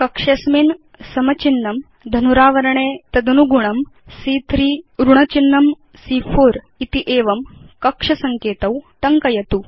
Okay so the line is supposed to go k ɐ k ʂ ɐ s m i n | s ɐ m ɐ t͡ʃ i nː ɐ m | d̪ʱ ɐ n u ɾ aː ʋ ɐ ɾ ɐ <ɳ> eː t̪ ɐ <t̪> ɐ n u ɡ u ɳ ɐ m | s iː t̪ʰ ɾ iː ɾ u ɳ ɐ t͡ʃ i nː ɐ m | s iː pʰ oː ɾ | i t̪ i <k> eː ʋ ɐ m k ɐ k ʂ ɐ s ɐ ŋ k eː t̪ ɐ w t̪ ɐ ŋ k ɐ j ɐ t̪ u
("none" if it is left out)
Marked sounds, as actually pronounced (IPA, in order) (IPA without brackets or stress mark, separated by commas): ɳ, d̪, ʔ